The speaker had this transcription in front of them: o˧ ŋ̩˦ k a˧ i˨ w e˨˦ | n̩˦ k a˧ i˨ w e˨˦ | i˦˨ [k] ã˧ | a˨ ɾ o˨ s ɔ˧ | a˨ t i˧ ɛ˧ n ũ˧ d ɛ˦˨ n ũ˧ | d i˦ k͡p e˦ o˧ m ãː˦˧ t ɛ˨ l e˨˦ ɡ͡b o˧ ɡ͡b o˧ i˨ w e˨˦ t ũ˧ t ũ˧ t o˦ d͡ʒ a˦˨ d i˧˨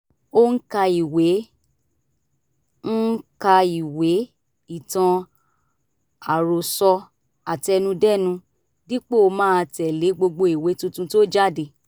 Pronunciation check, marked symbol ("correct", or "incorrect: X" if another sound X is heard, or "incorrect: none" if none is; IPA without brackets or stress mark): incorrect: t